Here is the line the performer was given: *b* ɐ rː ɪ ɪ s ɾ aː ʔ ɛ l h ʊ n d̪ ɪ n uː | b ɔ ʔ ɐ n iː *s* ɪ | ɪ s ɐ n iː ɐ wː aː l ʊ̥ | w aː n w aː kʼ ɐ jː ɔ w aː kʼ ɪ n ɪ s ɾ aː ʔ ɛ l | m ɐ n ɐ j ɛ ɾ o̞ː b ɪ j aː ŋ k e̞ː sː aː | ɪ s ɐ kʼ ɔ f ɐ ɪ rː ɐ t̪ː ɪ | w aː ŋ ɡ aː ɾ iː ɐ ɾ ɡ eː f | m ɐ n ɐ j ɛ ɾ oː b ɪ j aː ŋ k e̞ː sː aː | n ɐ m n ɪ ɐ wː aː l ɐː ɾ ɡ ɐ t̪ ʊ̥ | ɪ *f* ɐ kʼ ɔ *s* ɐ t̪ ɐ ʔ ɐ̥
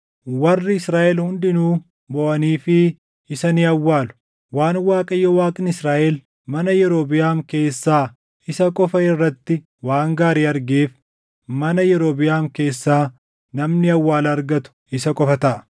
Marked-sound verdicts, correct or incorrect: incorrect: w, incorrect: f, incorrect: s, incorrect: f

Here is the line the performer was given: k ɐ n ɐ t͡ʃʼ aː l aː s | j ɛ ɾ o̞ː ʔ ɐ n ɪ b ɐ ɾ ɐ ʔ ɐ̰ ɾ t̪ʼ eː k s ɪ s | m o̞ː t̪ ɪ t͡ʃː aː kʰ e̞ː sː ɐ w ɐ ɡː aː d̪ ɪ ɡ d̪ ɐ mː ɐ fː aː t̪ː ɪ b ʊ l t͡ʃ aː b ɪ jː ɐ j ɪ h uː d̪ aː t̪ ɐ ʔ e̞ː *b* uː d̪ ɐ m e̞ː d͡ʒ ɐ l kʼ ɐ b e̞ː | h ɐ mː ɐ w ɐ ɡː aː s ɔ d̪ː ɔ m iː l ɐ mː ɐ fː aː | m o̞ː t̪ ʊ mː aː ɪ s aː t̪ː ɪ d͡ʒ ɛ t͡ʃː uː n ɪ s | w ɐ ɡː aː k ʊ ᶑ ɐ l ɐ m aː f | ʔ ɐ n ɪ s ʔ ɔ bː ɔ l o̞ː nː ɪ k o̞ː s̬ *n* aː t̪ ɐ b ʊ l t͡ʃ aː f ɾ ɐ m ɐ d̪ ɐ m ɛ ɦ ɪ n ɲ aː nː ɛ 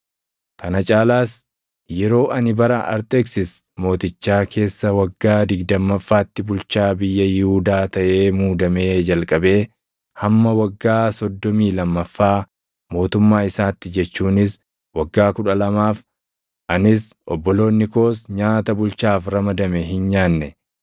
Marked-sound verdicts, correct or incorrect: incorrect: m, incorrect: ɲ

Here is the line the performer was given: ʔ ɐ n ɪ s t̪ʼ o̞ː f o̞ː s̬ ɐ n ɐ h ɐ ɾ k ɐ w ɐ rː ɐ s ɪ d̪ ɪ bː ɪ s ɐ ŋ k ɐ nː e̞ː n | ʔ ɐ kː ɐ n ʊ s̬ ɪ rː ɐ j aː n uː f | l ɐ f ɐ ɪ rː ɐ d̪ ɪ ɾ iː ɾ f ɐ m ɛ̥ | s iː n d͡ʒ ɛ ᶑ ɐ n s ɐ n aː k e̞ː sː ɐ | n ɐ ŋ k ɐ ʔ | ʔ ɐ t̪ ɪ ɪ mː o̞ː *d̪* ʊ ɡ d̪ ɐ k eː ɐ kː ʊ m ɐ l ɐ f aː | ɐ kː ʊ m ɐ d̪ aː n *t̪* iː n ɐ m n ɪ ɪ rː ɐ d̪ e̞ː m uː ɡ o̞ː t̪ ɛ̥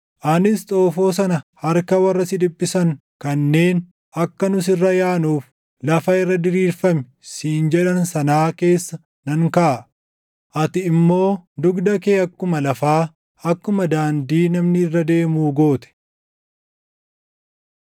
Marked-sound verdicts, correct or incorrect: correct, incorrect: d̪

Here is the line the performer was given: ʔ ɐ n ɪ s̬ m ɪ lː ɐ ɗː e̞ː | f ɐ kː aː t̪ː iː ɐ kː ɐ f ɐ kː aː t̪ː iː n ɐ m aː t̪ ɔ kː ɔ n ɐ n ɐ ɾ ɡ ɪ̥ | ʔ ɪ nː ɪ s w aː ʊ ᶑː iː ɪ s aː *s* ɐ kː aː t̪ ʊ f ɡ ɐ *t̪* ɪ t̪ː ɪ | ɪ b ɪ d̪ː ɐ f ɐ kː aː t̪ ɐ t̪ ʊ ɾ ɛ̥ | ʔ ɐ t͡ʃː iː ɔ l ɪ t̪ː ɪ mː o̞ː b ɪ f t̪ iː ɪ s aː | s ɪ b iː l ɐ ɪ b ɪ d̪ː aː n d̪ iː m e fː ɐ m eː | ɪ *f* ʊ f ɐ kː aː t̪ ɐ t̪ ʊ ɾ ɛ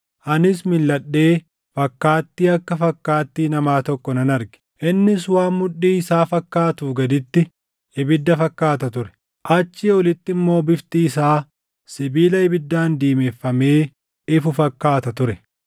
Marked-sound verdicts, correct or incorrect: incorrect: f, incorrect: d̪, correct

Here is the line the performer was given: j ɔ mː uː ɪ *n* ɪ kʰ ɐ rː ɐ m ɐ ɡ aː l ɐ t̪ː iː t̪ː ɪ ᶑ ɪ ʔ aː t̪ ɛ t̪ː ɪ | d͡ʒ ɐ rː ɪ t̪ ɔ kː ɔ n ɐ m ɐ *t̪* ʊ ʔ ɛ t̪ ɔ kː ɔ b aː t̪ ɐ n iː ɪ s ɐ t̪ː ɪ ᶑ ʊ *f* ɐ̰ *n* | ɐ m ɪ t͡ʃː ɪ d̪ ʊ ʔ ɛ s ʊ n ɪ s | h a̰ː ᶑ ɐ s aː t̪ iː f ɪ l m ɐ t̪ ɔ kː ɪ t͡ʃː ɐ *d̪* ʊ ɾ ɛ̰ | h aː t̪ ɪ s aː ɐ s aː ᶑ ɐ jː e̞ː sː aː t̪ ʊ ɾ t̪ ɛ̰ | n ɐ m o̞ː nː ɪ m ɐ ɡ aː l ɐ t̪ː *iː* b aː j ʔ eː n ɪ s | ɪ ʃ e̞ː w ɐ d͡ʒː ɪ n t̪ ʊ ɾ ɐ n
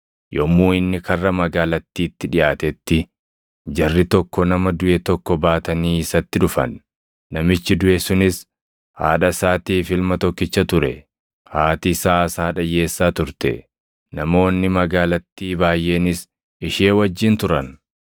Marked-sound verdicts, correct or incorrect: incorrect: nː, incorrect: d̪, correct, incorrect: nː, incorrect: t̪, correct

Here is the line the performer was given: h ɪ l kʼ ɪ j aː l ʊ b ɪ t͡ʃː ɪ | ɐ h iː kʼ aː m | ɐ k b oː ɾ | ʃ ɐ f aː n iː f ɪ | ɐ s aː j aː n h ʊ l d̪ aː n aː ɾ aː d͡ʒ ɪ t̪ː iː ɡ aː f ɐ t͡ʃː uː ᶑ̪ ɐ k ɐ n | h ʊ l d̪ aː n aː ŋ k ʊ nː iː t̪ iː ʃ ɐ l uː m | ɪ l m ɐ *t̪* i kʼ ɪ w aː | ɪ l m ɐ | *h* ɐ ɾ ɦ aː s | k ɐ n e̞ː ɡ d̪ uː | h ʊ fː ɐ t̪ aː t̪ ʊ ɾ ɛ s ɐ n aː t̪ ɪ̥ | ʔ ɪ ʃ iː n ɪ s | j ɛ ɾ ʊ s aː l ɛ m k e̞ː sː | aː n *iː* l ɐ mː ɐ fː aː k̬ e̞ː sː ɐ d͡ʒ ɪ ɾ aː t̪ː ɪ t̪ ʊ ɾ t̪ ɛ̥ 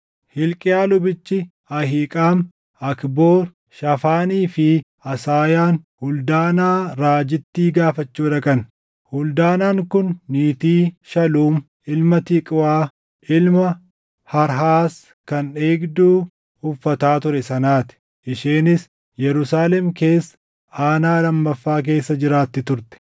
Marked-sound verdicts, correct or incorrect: correct, correct, incorrect: aː

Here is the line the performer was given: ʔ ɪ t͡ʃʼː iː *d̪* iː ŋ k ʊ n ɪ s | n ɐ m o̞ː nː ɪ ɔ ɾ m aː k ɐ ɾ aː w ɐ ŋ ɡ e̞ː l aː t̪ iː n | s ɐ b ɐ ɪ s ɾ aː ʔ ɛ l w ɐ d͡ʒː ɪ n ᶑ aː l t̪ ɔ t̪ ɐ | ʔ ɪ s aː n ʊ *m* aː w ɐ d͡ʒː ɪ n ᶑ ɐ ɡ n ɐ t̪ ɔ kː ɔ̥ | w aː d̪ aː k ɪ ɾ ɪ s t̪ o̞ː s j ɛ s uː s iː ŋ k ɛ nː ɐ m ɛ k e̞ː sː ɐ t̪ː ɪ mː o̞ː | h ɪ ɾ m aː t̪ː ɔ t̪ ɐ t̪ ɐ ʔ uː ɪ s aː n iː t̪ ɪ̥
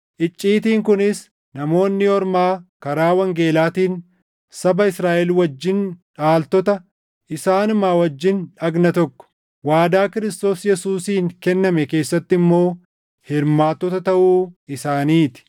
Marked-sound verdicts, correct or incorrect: incorrect: t̪, correct

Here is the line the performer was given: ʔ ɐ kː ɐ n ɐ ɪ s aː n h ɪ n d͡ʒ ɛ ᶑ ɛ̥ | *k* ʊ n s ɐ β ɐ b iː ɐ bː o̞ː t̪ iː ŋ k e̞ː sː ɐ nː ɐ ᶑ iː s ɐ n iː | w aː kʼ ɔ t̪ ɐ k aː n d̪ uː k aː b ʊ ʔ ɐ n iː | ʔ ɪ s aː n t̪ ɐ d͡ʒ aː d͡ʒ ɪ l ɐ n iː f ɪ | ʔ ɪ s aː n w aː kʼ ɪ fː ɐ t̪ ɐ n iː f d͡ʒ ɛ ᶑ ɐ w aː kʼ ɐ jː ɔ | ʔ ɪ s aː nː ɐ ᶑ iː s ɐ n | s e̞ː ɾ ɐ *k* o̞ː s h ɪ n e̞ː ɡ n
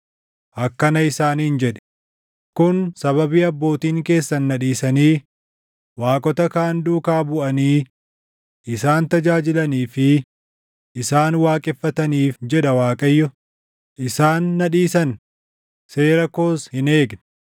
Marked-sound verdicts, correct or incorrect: correct, correct

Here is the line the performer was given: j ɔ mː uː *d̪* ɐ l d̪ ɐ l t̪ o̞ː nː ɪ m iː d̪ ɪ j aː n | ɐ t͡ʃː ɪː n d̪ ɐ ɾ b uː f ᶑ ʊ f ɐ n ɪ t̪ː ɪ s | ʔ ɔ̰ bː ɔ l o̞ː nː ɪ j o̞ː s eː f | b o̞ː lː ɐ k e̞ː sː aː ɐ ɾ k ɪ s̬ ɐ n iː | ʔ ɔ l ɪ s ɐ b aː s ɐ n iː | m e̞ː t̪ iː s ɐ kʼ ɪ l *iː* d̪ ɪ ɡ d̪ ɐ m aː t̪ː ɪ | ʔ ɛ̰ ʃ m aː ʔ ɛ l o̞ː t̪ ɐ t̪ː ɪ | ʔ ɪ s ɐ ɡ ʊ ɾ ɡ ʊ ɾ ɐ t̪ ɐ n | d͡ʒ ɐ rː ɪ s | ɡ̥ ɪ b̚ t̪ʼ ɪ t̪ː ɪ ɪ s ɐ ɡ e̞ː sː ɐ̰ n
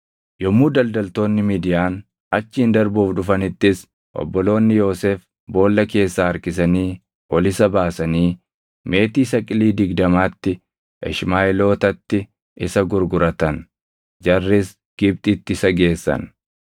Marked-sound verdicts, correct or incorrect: correct, correct

